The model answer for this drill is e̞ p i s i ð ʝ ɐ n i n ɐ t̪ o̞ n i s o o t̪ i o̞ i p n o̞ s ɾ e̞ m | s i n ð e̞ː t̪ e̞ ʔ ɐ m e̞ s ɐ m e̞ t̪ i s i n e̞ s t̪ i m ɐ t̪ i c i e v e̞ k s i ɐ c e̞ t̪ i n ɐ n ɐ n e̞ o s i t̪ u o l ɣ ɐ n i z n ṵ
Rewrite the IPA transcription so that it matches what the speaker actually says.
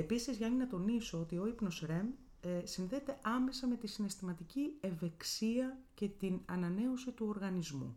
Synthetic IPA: e̞ p i s i z ʝ ɐ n i n ɐ t̪ o̞ n i s o o t̪ i o̞ i p n o̞ s ɾ e̞ m | s i n ð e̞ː t̪ e̞ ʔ ɐ m e̞ s ɐ m e̞ t̪ i s i n e̞ s t̪ i m ɐ t̪ i c i e v e̞ k s i ɐ c e̞ t̪ i n ɐ n ɐ n e̞ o s i t̪ u o ɾ ɣ ɐ n i z m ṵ